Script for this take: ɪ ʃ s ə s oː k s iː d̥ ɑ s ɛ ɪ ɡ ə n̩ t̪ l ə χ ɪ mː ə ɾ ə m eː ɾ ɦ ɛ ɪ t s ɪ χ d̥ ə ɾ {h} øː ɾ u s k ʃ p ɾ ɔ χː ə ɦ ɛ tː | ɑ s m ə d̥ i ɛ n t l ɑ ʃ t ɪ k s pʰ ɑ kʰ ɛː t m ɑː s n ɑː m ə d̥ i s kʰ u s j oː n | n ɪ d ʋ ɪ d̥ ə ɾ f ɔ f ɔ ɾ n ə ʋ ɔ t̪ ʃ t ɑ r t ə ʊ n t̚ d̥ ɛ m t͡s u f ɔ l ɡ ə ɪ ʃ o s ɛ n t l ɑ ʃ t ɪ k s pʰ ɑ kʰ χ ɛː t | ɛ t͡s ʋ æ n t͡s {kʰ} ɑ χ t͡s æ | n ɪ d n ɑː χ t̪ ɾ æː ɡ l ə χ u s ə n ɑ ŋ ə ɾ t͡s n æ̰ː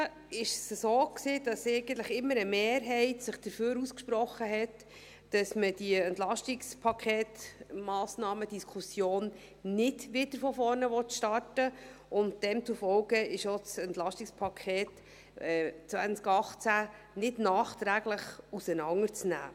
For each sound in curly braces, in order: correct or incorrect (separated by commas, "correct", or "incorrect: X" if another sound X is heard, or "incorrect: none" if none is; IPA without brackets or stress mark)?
incorrect: f, incorrect: k